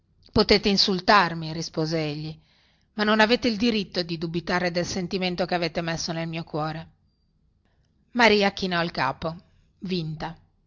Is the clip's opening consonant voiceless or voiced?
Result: voiceless